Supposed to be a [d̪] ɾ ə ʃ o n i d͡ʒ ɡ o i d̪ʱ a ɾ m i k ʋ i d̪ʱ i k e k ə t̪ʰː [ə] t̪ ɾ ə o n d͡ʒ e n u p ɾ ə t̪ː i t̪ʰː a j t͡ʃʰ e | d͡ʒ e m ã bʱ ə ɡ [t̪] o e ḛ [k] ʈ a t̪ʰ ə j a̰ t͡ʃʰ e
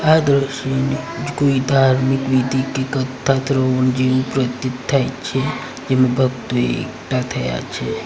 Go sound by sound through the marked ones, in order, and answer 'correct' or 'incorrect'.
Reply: correct, incorrect: a, correct, correct

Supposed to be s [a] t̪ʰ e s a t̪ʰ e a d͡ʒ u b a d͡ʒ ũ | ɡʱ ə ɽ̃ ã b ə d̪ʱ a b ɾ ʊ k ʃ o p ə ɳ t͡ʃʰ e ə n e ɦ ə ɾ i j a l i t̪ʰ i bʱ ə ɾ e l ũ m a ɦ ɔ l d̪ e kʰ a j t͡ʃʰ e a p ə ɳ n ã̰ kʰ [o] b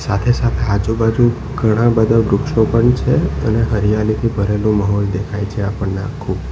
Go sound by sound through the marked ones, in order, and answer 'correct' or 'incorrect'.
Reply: correct, incorrect: u

